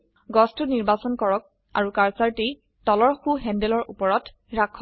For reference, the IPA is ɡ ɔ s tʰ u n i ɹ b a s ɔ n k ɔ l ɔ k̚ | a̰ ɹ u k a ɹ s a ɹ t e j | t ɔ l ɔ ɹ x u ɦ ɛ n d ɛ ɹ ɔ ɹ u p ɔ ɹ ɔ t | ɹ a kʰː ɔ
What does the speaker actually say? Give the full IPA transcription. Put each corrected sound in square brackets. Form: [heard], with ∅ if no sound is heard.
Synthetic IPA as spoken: ɡ ɔ s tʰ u n i ɹ b a s ɔ n k ɔ [ɹ] ɔ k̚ | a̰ ɹ u k a ɹ s a ɹ t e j | t ɔ l ɔ ɹ x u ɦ ɛ n d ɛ [l] ɔ ɹ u p ɔ ɹ ɔ t | ɹ a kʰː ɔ